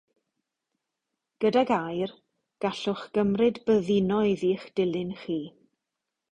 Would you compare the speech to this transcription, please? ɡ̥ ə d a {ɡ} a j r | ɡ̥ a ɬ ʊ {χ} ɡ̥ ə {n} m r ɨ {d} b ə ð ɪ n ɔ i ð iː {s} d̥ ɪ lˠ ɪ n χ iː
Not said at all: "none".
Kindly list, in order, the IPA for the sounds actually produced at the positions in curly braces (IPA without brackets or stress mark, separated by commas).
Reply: ɡ, χ, none, d, χ